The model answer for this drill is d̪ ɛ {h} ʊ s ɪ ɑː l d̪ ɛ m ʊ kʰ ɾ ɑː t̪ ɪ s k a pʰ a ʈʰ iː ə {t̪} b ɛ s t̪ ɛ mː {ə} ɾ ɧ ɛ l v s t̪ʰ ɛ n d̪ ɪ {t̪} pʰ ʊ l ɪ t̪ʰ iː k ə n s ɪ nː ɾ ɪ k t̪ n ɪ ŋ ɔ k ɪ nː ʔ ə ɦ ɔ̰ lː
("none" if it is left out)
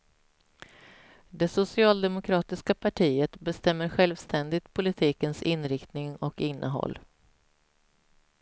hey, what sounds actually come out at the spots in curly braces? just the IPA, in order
s, t̪, ə, t̪

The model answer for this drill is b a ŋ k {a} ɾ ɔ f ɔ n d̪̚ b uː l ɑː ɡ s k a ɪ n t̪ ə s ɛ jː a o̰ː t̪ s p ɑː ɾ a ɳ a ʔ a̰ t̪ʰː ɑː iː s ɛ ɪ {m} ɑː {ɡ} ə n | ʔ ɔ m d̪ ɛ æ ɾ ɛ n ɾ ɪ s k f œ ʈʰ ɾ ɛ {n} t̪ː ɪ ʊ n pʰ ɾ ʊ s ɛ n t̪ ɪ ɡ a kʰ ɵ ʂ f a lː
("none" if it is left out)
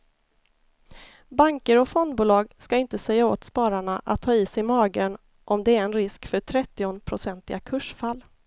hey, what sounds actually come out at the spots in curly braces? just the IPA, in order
ə, m, ɡ, none

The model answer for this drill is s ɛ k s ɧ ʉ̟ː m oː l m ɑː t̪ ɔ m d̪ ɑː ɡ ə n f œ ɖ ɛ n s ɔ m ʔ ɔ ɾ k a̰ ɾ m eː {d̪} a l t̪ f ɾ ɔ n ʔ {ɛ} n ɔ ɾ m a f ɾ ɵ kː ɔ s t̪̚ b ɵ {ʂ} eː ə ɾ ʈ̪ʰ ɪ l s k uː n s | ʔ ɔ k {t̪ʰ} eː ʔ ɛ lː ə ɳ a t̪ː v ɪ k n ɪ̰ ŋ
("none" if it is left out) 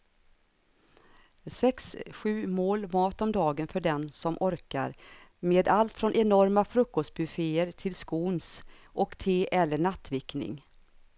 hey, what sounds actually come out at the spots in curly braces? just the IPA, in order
d̪, ɛ, f, t̪ʰ

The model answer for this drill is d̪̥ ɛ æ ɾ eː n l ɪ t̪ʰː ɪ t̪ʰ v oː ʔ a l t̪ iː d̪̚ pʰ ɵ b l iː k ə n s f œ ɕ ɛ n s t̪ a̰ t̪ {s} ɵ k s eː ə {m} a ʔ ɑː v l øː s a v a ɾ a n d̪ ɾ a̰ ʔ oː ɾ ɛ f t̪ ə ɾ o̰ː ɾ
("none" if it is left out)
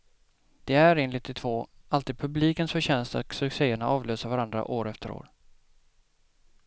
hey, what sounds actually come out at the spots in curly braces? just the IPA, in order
s, ɳ

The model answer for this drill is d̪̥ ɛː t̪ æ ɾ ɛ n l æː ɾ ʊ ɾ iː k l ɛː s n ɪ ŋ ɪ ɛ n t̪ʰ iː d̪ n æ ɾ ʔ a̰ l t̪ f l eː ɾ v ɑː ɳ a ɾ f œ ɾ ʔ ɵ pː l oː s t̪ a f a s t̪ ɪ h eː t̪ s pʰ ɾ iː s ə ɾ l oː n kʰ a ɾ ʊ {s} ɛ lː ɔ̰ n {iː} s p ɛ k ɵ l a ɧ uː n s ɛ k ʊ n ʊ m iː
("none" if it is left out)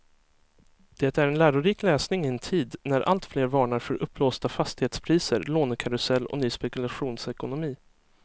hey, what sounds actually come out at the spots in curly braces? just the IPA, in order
s, yː

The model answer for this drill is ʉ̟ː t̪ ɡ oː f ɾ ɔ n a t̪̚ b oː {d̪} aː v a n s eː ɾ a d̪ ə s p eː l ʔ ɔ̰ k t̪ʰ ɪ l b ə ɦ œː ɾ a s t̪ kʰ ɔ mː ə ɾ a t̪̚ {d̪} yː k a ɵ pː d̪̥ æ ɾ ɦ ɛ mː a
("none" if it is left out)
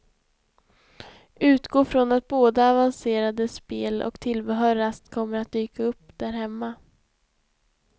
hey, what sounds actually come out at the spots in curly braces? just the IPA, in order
d̪, d̪

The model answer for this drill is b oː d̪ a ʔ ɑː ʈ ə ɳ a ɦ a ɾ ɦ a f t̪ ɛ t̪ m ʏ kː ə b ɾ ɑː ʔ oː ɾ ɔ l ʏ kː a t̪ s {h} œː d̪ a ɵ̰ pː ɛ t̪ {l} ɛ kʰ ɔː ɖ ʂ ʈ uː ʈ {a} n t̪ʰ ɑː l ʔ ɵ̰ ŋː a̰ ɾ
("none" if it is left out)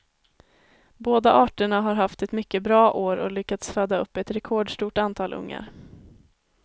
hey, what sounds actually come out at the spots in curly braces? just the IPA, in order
f, ɾ, a

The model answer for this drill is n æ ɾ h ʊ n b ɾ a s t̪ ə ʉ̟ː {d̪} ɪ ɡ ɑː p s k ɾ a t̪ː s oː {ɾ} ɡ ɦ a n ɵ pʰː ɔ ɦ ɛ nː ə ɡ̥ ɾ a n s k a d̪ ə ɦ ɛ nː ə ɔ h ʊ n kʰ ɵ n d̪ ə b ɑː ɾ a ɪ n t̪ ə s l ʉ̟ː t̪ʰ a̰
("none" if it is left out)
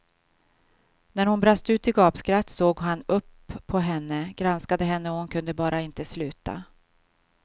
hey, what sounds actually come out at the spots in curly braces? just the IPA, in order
t̪, none

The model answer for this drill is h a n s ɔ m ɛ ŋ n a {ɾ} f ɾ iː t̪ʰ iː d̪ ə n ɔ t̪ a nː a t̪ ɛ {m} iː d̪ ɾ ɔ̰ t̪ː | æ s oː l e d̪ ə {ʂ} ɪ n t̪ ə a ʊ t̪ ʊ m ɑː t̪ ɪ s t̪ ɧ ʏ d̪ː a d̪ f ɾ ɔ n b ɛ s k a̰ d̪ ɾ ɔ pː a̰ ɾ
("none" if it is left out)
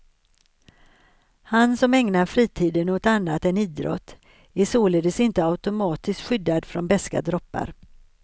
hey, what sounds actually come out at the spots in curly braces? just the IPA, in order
ɾ, n, s

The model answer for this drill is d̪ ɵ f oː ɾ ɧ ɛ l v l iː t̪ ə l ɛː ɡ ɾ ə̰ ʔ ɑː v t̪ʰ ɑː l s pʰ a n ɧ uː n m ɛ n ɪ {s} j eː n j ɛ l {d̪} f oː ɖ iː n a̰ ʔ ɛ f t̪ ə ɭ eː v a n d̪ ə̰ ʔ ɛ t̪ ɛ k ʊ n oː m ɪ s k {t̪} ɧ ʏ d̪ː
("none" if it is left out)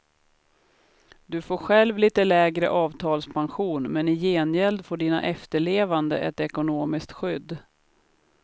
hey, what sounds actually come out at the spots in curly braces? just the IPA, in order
none, d̪, t̪

